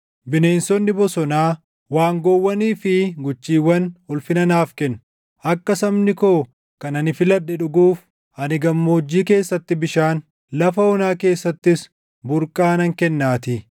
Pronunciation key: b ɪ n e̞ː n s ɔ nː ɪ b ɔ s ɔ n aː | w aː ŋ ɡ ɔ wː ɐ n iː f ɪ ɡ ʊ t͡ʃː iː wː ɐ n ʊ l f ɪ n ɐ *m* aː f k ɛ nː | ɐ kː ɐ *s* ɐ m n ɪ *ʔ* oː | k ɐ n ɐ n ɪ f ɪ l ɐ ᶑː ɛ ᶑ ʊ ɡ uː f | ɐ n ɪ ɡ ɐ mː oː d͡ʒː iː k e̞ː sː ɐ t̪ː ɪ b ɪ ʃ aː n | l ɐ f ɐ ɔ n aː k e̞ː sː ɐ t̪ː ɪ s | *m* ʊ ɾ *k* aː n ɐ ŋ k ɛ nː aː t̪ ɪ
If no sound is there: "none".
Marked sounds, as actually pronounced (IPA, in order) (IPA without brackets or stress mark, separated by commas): n, s, k, b, kʼ